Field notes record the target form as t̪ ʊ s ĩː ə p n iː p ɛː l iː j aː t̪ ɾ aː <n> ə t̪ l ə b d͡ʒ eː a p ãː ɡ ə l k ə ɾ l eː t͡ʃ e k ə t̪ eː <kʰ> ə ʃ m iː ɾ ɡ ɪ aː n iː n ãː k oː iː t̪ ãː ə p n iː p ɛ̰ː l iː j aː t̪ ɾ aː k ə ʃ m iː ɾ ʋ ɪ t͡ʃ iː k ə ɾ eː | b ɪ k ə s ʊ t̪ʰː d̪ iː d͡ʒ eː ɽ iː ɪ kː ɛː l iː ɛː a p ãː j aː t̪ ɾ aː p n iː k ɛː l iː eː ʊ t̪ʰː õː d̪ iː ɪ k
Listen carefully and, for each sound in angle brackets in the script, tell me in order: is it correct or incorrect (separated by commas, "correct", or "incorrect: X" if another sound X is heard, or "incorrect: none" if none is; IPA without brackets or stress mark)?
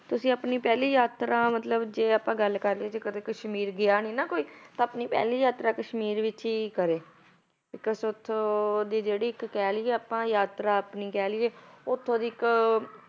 incorrect: m, incorrect: k